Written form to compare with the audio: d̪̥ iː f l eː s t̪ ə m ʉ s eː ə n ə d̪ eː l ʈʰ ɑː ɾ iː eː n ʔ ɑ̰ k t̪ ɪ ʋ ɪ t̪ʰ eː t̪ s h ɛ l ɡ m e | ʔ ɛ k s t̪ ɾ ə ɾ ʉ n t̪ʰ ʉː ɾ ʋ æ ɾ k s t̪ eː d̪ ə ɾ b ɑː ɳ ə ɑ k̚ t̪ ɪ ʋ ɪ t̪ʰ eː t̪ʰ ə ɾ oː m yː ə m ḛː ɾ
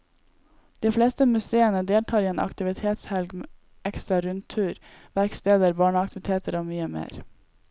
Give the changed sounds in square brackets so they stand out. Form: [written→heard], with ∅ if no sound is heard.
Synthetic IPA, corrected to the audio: d̪̥ iː f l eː s t̪ ə m ʉ s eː ə n ə d̪ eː l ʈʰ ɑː ɾ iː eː n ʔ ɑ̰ k t̪ ɪ ʋ ɪ t̪ʰ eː t̪ s h ɛ l ɡ m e | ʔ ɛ k s t̪ ɾ [ə→ɑ] ɾ ʉ n t̪ʰ ʉː ɾ ʋ æ ɾ k s t̪ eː d̪ ə ɾ b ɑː ɳ ə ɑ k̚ t̪ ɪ ʋ ɪ t̪ʰ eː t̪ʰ ə ɾ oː m yː ə m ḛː ɾ